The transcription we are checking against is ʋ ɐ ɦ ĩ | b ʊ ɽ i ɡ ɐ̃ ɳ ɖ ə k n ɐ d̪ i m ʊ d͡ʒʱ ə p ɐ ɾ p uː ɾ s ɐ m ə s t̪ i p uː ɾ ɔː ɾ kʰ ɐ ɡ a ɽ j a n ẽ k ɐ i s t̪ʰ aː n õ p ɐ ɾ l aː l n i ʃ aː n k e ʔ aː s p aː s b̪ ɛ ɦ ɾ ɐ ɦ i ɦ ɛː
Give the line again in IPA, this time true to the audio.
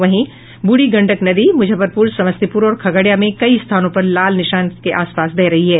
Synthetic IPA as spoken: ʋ ɐ ɦ ĩ | b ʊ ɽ i ɡ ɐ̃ ɳ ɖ ə k n ɐ d̪ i m ʊ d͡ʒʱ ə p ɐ ɾ p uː ɾ s ɐ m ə s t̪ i p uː ɾ ɔː ɾ kʰ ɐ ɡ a ɽ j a m ẽ k ɐ i s t̪ʰ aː n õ p ɐ ɾ l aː l n ɪ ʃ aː n k e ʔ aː s p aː s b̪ ɛ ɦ ɾ ɐ ɦ i ɦ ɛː

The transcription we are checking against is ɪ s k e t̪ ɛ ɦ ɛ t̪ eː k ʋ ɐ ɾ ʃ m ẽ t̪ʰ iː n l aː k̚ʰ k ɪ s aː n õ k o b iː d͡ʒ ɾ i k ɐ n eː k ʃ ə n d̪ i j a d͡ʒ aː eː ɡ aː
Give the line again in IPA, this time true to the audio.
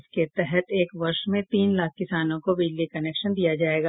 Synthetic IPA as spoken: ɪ s k e t̪ ɛ ɦ ɛ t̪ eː k ʋ ɐ ɾ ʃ m ẽ t̪ iː n l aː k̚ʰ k ɪ s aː n õ k o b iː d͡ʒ l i k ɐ n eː k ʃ ə n d̪ i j a d͡ʒ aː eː ɡ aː

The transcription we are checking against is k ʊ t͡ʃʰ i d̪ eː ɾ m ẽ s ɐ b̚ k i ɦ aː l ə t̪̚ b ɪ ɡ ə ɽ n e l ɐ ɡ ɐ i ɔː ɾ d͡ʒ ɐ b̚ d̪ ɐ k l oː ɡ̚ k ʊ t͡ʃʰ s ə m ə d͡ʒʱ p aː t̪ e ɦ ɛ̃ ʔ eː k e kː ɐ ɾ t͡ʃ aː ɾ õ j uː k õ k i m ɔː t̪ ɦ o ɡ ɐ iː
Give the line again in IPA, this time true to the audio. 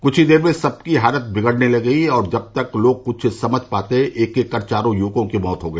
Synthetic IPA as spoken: k ʊ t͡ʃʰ i d̪ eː ɾ m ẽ s ɐ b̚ k i ɦ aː l ə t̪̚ b ɪ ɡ ə ɽ n e l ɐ ɡ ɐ i ɔː ɾ d͡ʒ ɐ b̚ t̪ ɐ k l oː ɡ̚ k ʊ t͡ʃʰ s ɐ m ə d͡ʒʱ p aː t̪ e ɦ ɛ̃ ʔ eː k e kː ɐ ɾ t͡ʃ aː ɾ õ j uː k õ k i m ɔː t̪ ɦ o ɡ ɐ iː

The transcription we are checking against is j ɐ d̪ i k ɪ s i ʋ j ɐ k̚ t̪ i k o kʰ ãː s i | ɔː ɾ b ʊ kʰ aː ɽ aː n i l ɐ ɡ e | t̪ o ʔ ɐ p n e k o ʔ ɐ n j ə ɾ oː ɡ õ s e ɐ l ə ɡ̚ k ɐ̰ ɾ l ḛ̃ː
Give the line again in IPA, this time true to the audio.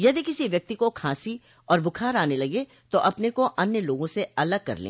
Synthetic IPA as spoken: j ɐ d̪ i k ɪ s i ʋ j ɐ k̚ t̪ i k o kʰ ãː s i | ɔː ɾ b ʊ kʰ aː ɾ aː n e l ɐ ɡ e | t̪ o ʔ ɐ p n e k o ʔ ɐ n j ə l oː ɡ õ s e ɐ l ə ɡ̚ k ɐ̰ ɾ l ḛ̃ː

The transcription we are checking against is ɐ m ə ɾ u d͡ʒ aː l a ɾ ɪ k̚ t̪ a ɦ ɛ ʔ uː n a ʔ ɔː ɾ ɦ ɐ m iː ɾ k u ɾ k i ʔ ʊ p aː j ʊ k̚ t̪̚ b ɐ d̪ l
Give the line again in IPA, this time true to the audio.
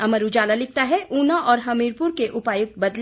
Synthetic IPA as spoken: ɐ m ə ɾ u d͡ʒ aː l a l ɪ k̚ t̪ a ɦ ɛ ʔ uː n a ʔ ɔː ɾ ɦ ɐ m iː ɾ p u ɾ k e ʔ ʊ p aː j ʊ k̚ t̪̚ b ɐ d̪ l

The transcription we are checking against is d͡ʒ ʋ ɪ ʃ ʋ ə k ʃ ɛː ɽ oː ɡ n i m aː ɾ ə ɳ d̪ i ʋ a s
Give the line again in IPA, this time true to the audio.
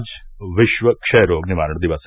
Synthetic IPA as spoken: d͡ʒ ʋ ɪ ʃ ʋ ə k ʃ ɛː ɾ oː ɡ n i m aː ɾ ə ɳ d̪ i ʋ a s

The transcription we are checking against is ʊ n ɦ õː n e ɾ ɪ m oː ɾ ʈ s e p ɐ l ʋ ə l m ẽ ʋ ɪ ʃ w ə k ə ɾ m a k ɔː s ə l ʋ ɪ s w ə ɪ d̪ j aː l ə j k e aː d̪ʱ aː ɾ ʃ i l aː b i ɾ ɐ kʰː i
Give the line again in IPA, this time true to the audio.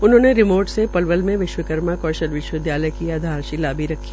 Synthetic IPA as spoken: ʊ n ɦ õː n e ɾ ɪ m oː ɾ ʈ s e p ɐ l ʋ ə l m ẽ ʋ ɪ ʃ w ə k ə ɾ m a k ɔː ʃ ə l ʋ ɪ ʃ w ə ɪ d̪ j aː l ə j k i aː d̪ʱ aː ɾ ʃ i l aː b i ɾ ɐ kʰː i

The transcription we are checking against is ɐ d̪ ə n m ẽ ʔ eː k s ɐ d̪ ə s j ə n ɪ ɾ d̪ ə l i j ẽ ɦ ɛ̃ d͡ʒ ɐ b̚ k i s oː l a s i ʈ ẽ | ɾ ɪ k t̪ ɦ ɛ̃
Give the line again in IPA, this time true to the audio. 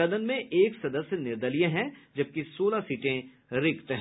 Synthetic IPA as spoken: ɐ d̪ ə n m ẽ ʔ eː k s ɐ d̪ ə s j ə n ɪ ɾ d̪ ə l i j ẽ ɦ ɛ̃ d͡ʒ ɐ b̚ k i s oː l a s iː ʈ ẽ | ɾ ɪ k t̪ ɦ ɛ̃

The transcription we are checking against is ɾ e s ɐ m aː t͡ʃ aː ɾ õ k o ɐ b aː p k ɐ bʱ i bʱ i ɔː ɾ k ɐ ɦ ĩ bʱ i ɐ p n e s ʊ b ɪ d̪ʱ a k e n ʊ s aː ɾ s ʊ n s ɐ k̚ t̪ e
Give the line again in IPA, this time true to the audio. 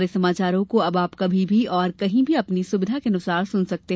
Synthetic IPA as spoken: ɾ e s ɐ m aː t͡ʃ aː ɾ õ k o ɐ b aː p k ɐ bʱ i bʱ i ɔː ɾ k ɐ ɦ ĩ bʱ i ɐ p n i s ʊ b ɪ d̪ʱ a k e n ʊ s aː ɾ s ʊ n s ɐ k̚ t̪ e

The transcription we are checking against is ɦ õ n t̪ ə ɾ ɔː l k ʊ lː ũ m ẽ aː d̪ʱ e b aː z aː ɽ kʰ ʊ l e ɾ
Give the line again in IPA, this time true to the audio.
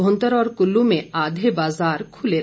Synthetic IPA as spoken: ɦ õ n t̪ ə ɾ ɔː ɾ k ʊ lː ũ m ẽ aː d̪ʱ e b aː z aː ɾ kʰ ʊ l e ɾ

